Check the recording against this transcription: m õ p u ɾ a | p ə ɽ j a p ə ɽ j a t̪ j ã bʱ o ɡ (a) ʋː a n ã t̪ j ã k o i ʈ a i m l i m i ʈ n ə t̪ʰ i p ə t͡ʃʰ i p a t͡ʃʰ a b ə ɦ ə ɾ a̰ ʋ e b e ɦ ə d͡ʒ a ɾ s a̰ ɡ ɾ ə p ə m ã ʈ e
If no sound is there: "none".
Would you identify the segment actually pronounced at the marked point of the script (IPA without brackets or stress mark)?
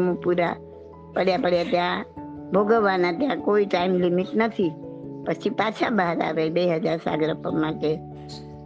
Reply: ə